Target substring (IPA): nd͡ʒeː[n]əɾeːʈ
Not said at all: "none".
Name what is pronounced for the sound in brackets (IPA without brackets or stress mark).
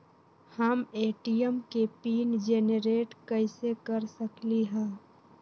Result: n